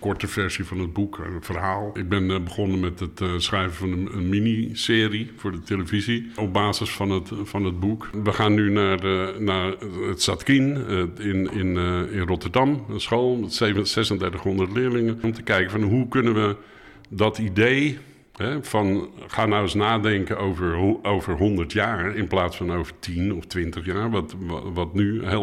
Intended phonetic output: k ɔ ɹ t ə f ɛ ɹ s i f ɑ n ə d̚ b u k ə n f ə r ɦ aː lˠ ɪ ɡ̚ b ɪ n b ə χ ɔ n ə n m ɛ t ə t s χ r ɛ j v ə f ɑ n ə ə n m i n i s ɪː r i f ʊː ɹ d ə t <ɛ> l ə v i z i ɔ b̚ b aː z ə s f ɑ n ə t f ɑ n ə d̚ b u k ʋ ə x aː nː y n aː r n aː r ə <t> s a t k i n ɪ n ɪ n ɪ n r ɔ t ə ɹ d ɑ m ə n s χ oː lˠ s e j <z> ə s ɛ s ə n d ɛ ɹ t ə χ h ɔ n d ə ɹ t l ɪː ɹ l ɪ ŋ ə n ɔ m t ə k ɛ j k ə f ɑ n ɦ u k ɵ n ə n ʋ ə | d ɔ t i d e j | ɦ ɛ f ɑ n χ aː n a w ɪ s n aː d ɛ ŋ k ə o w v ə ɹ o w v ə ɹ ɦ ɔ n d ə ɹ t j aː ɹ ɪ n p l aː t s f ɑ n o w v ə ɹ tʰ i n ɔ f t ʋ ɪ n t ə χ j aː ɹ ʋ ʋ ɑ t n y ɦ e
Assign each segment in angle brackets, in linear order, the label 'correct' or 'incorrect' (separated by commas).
incorrect, correct, incorrect